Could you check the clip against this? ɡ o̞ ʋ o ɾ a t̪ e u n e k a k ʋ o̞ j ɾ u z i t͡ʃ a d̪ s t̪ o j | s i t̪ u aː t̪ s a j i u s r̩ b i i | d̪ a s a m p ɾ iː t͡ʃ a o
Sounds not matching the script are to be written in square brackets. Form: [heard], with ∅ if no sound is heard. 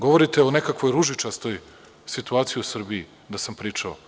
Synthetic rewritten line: ɡ o̞ ʋ o ɾ [i] t̪ e [o] n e k a k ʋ o̞ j ɾ u [ʒ] i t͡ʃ a [∅] s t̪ o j | s i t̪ u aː t̪ s [i] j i u s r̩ b i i | d̪ a s a m p ɾ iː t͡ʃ a o